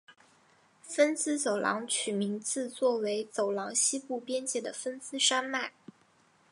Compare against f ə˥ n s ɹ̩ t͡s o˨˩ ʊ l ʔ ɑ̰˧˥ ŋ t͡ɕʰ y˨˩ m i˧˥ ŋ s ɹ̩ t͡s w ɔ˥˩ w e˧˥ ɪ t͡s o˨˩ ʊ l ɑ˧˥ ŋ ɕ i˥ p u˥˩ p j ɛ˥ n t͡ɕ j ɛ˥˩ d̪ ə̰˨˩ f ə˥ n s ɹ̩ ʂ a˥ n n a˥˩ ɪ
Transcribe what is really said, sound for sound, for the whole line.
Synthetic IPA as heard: f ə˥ n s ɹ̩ t͡s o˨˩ ʊ l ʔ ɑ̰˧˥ ŋ t͡ɕʰ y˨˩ m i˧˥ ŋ t͡s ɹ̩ t͡s w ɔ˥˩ w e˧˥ ɪ t͡s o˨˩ ʊ l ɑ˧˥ ŋ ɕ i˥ p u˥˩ p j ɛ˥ n t͡ɕ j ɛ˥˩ d̪ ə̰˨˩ f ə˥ n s ɹ̩ ʂ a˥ n m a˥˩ ɪ

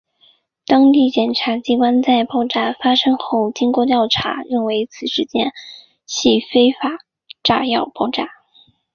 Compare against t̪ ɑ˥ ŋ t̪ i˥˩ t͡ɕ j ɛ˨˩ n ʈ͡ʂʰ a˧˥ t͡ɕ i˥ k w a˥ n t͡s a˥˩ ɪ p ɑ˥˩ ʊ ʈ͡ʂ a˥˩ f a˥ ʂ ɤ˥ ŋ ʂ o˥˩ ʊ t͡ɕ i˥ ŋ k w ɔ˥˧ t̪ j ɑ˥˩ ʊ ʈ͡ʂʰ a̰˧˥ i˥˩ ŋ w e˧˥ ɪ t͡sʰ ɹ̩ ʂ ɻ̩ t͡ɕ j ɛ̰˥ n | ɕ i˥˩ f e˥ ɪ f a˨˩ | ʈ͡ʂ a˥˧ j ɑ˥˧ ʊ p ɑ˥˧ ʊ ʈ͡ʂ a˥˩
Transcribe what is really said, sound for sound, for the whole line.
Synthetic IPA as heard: t̪ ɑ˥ ŋ t̪ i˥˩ t͡ɕ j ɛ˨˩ n ʈ͡ʂʰ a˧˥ t͡ɕ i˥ k w a˥ n t͡s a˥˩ ɪ p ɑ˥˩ ʊ ʈ͡ʂ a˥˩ f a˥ ʂ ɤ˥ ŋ x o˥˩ ʊ t͡ɕ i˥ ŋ k w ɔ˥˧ t̪ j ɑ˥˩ ʊ ʈ͡ʂʰ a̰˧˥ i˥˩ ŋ w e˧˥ ɪ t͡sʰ ɹ̩ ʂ ɻ̩ t͡ɕ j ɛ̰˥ n | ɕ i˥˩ f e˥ ɪ f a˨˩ | ʈ͡ʂ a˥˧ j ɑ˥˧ ʊ p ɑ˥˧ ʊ ʈ͡ʂ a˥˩

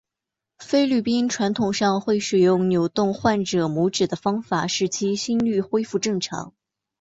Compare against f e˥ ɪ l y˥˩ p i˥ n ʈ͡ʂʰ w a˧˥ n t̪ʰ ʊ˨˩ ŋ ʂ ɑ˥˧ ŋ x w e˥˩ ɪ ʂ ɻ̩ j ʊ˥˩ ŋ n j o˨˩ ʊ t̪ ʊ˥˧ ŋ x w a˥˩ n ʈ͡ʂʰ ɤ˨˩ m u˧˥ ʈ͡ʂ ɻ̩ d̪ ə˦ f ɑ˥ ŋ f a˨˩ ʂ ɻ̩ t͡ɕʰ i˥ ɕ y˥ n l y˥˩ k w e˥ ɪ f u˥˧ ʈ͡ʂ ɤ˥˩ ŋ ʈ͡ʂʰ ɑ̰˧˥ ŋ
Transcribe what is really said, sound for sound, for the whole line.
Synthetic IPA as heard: f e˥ ɪ l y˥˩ p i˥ n ʈ͡ʂʰ w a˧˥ n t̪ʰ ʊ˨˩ ŋ ʂ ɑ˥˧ ŋ x w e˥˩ ɪ ʂ ɻ̩ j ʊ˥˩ ŋ n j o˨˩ ʊ t̪ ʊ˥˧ ŋ x w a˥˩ n ʈ͡ʂ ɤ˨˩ m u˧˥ ʈ͡ʂ ɻ̩ d̪ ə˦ f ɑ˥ ŋ f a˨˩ ʂ ɻ̩ t͡ɕʰ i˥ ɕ i˥ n l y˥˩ x w e˥ ɪ f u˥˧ ʈ͡ʂ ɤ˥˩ ŋ ʈ͡ʂʰ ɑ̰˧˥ ŋ

